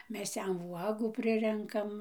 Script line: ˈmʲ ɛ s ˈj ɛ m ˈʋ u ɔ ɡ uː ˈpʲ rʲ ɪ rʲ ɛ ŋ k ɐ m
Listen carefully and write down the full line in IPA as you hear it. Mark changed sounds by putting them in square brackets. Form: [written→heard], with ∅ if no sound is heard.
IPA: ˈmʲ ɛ s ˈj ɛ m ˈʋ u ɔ ɡ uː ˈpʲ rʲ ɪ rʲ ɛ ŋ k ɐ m